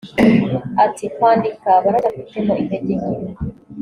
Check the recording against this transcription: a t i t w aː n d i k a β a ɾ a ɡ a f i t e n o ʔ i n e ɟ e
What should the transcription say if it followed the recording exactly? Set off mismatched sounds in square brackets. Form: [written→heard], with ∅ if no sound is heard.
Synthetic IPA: a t i [t→k] w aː n d i k a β a ɾ a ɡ a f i t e [n→m] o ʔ i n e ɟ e